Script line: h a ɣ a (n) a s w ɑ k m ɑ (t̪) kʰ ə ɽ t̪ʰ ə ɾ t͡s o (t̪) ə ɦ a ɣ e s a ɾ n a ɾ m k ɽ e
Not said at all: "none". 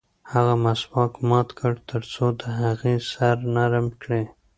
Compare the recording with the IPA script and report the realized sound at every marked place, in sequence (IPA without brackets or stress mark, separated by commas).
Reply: m, t̪, d̪